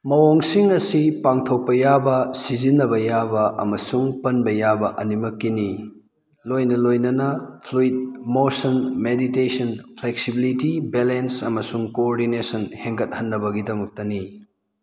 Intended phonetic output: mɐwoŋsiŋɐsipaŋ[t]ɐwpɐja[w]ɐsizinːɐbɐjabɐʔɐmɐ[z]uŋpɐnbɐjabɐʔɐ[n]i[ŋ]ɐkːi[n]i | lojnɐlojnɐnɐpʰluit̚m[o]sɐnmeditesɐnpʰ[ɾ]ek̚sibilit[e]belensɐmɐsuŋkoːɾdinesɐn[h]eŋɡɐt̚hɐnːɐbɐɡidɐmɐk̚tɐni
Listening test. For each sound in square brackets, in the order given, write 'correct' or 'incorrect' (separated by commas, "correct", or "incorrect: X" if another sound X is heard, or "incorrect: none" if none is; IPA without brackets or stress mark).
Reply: incorrect: tʰ, incorrect: b, incorrect: s, correct, incorrect: m, correct, correct, incorrect: l, incorrect: i, correct